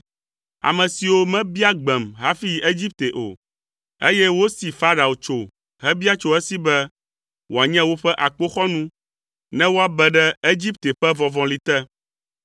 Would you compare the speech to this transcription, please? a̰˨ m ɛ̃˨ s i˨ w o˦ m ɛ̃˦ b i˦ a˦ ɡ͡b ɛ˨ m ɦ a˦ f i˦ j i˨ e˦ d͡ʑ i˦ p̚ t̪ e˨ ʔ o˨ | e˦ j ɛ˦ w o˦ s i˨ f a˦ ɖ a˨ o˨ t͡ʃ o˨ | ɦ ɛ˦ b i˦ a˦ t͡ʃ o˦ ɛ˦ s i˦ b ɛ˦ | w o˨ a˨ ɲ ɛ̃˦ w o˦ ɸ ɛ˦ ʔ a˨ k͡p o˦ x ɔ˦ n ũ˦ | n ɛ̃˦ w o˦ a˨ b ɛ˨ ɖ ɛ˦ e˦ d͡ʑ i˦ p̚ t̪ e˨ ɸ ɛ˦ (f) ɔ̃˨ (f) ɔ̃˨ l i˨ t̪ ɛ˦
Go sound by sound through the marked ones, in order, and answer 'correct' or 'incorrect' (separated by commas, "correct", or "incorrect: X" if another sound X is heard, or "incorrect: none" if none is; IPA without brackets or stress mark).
incorrect: v, incorrect: v